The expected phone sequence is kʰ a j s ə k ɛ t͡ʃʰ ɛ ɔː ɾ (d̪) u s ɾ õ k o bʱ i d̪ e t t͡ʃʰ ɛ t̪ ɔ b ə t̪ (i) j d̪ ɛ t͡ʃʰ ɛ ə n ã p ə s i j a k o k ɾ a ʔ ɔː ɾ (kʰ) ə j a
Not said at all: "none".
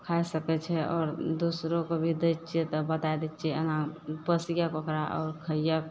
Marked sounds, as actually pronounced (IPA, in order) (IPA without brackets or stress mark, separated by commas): d̪, a, kʰ